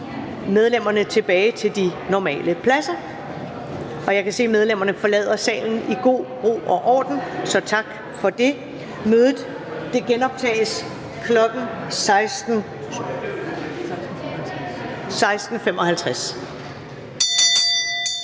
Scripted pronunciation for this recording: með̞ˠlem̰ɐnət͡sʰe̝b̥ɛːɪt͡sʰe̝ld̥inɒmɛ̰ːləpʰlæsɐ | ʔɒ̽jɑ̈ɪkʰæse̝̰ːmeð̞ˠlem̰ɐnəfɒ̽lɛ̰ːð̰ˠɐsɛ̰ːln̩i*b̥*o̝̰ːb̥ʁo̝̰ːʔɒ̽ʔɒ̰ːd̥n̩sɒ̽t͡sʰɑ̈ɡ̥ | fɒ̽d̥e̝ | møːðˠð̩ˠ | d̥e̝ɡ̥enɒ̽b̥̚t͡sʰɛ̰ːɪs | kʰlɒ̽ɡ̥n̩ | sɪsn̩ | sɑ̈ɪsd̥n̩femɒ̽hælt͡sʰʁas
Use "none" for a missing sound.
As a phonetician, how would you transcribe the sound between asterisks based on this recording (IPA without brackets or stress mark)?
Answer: ɡ̥